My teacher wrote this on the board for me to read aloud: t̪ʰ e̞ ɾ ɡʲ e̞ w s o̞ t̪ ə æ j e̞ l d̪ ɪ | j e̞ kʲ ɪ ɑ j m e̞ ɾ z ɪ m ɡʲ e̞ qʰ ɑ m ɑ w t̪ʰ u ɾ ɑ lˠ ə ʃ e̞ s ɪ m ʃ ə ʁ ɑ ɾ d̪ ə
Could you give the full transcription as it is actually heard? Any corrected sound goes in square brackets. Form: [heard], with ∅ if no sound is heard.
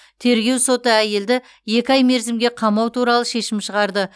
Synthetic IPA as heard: t̪ʰ e̞ ɾ ɡʲ e̞ w s o̞ t̪ ə æ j e̞ l d̪ ɪ | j e̞ kʲ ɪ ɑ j m e̞ ɾ z ɪ m ɡʲ e̞ qʰ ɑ m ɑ w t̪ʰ u ɾ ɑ lˠ ə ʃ e̞ [ʃ] ɪ m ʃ ə ʁ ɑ ɾ d̪ ə